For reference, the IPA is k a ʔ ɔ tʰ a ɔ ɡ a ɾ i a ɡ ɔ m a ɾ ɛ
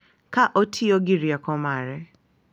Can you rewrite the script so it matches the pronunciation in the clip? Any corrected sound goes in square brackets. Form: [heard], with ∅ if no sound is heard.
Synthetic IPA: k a ʔ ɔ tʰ [i] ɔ ɡ [i] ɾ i a [k] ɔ m a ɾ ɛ